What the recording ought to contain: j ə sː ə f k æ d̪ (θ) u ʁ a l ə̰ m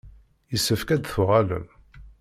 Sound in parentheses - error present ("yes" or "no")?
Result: no